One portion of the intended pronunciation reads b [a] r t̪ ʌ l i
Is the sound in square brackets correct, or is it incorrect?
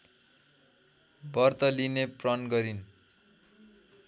incorrect